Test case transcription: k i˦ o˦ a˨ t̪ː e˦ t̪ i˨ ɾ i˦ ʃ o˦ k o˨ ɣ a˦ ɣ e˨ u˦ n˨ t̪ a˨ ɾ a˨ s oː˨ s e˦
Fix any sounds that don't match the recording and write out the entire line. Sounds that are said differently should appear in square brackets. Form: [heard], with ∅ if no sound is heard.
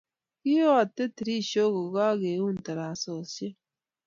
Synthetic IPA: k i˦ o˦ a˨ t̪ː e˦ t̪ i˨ ɾ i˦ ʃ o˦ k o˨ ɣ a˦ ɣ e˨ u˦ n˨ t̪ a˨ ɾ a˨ s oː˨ s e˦